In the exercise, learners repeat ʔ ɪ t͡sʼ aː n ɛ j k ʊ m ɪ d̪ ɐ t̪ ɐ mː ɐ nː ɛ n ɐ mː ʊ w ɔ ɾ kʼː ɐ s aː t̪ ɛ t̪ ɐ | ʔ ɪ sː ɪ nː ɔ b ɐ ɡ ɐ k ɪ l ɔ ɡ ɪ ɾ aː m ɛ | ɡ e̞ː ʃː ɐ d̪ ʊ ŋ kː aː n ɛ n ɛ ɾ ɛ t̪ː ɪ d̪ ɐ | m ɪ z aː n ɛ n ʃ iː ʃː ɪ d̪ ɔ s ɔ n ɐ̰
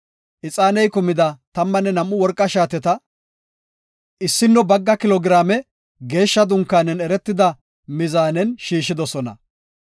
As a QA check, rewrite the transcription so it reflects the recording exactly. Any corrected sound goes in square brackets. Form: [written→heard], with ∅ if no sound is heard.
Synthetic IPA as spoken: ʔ ɪ t͡sʼ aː n ɛ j k ʊ m ɪ d̪ ɐ t̪ ɐ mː ɐ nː ɛ n ɐ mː ʊ w ɔ ɾ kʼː ɐ [s→ʃ] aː t̪ ɛ t̪ ɐ | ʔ ɪ sː ɪ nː ɔ b ɐ [ɡ→ɡː] ɐ k ɪ l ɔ ɡ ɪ ɾ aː m ɛ | ɡ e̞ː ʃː ɐ d̪ ʊ ŋ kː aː n ɛ n ɛ ɾ ɛ t̪ː ɪ d̪ ɐ | m ɪ z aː n ɛ n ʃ iː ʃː ɪ d̪ ɔ s ɔ n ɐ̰